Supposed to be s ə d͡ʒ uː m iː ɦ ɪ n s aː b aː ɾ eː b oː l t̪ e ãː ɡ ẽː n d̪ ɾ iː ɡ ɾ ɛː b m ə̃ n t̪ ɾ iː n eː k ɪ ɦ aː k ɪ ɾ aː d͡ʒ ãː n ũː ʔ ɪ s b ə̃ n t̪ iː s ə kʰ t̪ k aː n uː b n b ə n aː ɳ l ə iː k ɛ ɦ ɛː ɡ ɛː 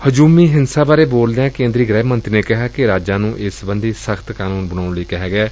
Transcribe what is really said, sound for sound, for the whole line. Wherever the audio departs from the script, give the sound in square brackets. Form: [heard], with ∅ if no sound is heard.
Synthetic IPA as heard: [h] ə d͡ʒ uː m iː ɦ ɪ n s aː b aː ɾ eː b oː l [d̪] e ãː [k] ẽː n d̪ ɾ iː ɡ ɾ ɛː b m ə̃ n t̪ ɾ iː n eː k ɪ ɦ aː k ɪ ɾ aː d͡ʒ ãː n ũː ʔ ɪ s b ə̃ n [d̪] iː s ə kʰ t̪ k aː n uː [∅] n b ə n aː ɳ l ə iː k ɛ ɦ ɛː ɡ ɛː